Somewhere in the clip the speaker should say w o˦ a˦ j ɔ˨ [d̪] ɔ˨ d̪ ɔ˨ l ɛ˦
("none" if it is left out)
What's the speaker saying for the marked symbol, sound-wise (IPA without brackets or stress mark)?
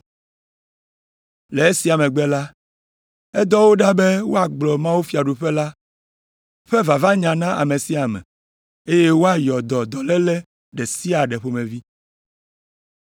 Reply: d̪